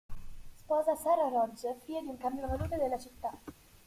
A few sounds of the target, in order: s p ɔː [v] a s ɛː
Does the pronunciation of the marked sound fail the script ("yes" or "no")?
yes